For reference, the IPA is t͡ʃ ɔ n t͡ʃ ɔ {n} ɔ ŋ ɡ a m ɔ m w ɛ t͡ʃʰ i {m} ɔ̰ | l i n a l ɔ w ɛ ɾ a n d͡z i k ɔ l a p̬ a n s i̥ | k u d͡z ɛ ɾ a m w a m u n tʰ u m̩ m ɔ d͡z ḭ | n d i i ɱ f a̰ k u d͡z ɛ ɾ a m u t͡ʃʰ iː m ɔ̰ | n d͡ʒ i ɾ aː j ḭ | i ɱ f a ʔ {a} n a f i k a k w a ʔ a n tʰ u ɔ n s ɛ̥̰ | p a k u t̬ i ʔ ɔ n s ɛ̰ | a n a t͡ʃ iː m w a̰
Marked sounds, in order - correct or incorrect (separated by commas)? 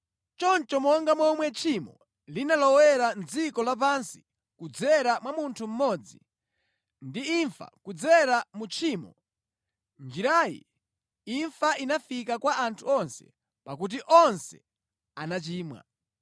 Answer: incorrect, correct, incorrect